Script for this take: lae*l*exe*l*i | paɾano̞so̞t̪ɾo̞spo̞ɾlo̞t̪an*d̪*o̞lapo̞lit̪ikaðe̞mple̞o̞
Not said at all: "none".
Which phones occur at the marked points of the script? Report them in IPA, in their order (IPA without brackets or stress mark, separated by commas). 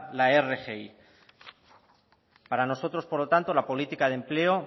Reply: r, none, t̪